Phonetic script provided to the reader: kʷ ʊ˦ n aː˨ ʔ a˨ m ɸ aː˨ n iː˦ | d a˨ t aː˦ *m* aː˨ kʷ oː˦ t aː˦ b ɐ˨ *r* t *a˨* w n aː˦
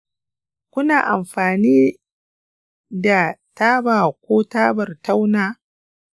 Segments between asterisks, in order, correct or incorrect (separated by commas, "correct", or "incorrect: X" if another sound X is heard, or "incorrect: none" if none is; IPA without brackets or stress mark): incorrect: b, correct, incorrect: a˦